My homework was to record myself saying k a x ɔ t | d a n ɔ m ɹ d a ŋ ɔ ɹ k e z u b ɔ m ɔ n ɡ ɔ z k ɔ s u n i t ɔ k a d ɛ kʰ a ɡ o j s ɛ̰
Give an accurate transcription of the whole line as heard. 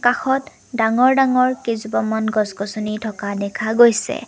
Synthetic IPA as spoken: k a x ɔ t | d a ŋ ɔ ɹ d a ŋ ɔ ɹ k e z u b ɔ m ɔ n ɡ ɔ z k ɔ s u n i tʰ ɔ k a d ɛ kʰ a ɡ o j s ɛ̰